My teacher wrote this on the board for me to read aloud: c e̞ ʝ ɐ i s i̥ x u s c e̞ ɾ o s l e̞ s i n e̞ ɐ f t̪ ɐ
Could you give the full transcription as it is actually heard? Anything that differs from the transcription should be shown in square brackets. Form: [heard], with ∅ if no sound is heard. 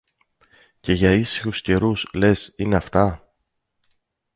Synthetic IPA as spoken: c e̞ ʝ ɐ i s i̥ x u s c e̞ ɾ [u] s l e̞ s i n e̞ ɐ f t̪ ɐ